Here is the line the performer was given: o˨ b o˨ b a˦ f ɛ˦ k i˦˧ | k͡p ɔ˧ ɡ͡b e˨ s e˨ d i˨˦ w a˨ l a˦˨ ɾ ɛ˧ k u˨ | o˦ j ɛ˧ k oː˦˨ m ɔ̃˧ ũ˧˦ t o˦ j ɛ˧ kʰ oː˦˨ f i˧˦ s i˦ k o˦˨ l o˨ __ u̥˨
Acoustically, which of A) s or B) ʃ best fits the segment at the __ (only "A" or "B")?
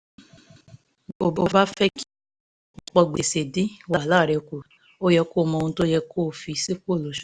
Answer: B